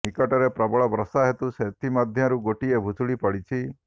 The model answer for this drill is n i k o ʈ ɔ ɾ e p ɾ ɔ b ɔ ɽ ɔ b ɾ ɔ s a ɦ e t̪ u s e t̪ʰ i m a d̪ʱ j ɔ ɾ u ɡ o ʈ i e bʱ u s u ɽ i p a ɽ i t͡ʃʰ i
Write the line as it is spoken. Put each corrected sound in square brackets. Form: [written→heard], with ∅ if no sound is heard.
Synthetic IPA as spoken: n i k [o→ɔ] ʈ ɔ ɾ e p ɾ ɔ b ɔ [ɽ→ɭ] ɔ b ɾ ɔ s a ɦ e t̪ u s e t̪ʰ i m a d̪ʱ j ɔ ɾ u ɡ o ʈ i e bʱ u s u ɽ i p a ɽ i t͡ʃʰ i